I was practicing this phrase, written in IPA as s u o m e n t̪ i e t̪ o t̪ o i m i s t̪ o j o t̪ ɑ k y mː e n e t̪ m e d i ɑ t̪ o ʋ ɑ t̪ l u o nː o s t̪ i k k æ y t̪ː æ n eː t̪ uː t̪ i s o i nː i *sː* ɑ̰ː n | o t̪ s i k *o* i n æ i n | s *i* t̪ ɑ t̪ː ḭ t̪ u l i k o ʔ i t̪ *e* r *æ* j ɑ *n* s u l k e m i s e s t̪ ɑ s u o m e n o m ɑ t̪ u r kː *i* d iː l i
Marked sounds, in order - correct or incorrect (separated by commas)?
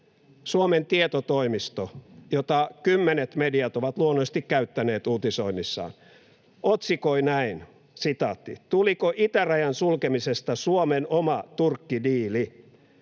correct, correct, correct, incorrect, correct, correct, correct